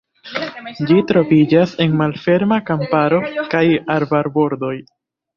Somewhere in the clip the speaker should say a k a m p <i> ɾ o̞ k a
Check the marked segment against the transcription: incorrect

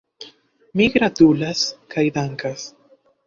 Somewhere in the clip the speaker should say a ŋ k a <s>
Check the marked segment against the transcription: correct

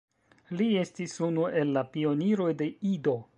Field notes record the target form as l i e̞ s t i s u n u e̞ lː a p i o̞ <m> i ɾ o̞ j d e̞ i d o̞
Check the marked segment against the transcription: incorrect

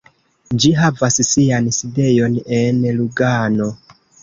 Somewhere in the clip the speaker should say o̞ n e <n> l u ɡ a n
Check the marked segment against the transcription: correct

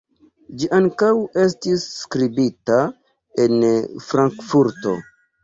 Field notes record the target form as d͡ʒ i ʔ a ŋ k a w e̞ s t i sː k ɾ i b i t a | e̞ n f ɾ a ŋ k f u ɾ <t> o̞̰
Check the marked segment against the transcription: correct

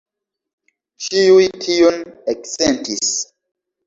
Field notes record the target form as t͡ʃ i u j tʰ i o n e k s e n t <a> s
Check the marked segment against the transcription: incorrect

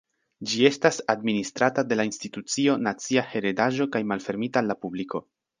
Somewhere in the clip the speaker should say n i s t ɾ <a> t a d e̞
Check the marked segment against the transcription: correct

